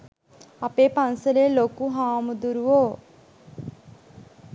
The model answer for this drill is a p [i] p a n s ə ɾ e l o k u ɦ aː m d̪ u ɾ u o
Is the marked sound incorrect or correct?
incorrect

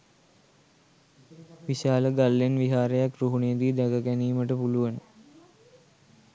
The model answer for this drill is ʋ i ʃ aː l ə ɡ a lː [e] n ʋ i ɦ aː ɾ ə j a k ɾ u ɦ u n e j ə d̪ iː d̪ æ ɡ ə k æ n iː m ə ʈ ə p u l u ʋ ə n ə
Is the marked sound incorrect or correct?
correct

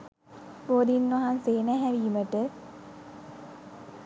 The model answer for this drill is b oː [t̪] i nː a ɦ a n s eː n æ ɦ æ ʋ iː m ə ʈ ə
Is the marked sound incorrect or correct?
incorrect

